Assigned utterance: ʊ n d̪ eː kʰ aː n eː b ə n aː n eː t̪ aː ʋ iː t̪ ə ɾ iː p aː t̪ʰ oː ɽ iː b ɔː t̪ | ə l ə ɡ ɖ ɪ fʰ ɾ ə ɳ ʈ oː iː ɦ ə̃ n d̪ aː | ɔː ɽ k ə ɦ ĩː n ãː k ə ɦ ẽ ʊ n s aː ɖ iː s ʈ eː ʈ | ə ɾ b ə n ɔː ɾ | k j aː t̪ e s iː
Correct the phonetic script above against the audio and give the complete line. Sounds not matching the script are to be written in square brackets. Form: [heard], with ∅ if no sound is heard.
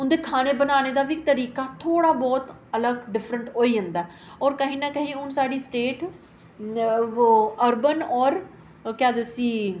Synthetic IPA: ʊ n d̪ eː kʰ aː n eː b ə n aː n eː [d̪] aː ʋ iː t̪ ə ɾ iː [k] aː t̪ʰ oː ɽ [aː] b ɔː t̪ | ə l ə ɡ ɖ ɪ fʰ ɾ ə ɳ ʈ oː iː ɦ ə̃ n d̪ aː | ɔː [ɾ] k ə ɦ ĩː n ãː k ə ɦ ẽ ʊ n s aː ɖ iː s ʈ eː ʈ | ə ɾ b ə n ɔː ɾ | k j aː [d̪] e s iː